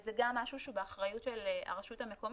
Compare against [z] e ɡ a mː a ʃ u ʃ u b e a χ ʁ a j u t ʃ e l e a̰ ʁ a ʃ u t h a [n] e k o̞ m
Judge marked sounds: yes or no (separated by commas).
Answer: yes, no